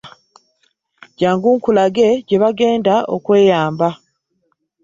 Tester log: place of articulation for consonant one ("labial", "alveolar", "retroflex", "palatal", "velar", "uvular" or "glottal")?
palatal